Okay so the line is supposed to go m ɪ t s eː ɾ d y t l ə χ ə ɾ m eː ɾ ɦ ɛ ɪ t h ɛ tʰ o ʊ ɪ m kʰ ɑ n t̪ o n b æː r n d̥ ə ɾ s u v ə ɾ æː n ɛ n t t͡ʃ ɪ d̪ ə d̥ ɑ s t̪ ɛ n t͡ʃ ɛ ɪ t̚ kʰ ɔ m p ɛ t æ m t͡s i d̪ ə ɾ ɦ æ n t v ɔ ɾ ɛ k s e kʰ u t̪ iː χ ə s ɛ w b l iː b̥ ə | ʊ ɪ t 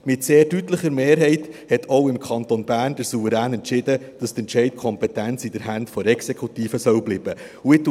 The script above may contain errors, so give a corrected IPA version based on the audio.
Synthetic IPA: m ɪ t s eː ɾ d y t l ə χ ə ɾ m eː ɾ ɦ ɛ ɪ t h ɛ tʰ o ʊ ɪ m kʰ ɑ n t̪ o n b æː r n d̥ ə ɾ s u v ə ɾ æː n ɛ n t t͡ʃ ɪ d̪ ə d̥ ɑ s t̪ ɛ n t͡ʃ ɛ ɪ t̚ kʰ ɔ m p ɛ t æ n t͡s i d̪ ə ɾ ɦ æ n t f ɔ ɾ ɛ k s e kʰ u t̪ iː f ə s œ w b l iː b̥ ə | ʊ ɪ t